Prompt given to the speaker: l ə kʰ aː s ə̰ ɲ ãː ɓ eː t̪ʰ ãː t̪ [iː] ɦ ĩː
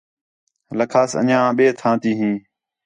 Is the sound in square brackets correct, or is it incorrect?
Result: correct